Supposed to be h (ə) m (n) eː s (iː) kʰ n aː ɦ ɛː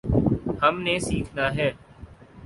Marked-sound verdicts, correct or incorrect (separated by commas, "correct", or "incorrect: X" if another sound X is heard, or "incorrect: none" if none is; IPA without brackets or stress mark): correct, correct, correct